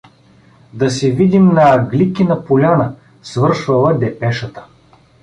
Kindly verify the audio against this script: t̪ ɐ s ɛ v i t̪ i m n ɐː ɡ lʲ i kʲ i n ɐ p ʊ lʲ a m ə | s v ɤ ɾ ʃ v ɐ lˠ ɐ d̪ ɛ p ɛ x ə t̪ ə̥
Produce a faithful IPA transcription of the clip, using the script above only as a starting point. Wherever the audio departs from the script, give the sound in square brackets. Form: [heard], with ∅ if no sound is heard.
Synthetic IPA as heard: [d̪] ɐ s ɛ v i [d̪] i m n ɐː ɡ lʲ i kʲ i n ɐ p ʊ lʲ a [n] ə | s v ɤ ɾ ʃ v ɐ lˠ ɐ d̪ ɛ p ɛ [ʃ] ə t̪ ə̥